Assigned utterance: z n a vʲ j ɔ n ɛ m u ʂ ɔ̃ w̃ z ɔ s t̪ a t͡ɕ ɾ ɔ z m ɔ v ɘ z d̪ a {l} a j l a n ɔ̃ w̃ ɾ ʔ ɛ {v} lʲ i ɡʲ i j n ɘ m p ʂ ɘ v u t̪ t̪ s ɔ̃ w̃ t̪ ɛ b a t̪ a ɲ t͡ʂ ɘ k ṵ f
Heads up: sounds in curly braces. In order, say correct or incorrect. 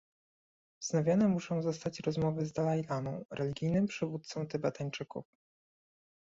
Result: correct, incorrect: none

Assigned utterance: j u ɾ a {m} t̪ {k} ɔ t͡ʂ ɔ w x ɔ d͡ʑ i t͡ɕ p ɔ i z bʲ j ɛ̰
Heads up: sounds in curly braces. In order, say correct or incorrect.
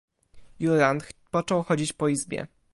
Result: incorrect: n, incorrect: p

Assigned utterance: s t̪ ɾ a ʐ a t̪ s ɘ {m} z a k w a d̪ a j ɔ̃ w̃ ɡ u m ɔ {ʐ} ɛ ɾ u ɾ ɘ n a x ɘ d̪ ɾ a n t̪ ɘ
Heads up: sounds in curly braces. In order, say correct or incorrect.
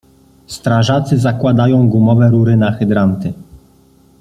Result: incorrect: none, incorrect: v

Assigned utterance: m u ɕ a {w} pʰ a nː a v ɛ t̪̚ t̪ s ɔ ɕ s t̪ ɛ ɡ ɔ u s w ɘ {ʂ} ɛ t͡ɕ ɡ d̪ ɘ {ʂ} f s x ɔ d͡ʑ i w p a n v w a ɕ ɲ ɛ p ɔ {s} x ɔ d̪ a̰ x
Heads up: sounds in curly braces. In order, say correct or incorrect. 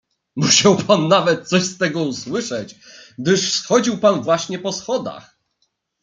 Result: correct, correct, correct, correct

